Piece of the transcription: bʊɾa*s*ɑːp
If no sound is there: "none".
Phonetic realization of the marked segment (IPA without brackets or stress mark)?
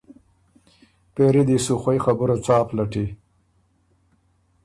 t͡s